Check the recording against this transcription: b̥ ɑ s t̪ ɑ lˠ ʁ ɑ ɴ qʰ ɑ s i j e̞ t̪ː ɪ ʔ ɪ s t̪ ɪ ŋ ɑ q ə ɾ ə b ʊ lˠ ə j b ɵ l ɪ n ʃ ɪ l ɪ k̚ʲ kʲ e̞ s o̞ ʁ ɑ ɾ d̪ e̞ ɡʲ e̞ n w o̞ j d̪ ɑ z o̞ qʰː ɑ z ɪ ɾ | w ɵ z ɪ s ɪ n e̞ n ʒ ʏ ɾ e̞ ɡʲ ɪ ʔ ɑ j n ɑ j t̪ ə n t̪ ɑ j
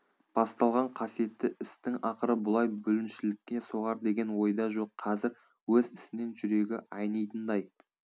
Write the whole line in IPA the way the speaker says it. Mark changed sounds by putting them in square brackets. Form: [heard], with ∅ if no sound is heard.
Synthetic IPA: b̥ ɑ s t̪ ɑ lˠ ʁ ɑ ɴ qʰ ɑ s i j e̞ t̪ː ɪ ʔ ɪ s t̪ ɪ ŋ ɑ q ə ɾ ə b ʊ lˠ [ɑ] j b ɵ l ɪ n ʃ ɪ l ɪ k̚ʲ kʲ e̞ s o̞ ʁ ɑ ɾ d̪ e̞ ɡʲ e̞ n w o̞ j d̪ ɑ [ʒ] o̞ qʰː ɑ z ɪ ɾ | w ɵ z ɪ s ɪ n e̞ n ʒ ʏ ɾ e̞ ɡʲ ɪ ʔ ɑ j n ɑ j t̪ ə n [d̪] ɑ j